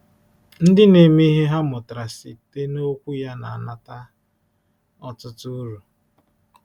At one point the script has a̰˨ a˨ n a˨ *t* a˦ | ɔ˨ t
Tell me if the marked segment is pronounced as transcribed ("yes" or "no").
yes